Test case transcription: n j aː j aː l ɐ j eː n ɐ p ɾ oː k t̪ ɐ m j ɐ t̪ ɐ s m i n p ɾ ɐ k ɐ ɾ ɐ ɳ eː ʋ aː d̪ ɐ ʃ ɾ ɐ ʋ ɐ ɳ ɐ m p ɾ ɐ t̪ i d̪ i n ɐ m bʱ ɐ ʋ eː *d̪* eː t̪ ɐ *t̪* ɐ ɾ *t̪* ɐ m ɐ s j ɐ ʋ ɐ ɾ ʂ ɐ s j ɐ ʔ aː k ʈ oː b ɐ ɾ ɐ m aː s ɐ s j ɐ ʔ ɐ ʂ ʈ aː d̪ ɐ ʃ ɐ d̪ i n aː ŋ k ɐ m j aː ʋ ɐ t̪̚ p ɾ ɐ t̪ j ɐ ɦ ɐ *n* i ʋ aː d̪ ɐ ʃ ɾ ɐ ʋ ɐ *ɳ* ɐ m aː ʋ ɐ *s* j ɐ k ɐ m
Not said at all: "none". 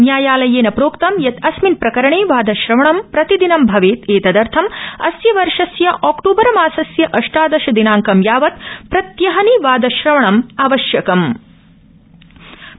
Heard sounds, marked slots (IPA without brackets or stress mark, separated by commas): t̪, d̪, t̪ʰ, n, ɳ, ʃ